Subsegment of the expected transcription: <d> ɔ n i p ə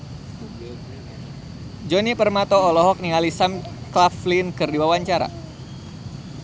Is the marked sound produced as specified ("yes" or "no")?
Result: no